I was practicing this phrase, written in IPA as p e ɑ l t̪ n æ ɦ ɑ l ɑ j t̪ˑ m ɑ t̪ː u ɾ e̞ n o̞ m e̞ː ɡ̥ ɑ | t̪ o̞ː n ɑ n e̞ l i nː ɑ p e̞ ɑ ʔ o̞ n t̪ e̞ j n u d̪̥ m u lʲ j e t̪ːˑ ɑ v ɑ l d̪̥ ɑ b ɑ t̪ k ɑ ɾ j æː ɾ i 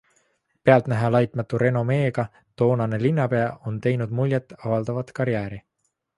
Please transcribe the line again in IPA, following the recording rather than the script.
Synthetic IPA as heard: p e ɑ l t̪ n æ ɦ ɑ l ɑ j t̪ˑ m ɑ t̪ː u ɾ e̞ n o̞ m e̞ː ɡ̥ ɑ | t̪ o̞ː n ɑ n e̞ l i nː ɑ p e̞ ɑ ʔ o̞ n t̪ e̞ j n u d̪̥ m u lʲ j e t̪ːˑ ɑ v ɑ l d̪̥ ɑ v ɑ t̪ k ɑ ɾ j æː ɾ i